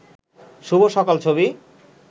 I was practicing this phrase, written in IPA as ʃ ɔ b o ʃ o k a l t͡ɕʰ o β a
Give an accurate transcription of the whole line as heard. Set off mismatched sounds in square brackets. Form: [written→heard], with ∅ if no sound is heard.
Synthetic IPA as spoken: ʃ [ɔ→u] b o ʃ [o→ɔ] k a l t͡ɕʰ o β [a→i]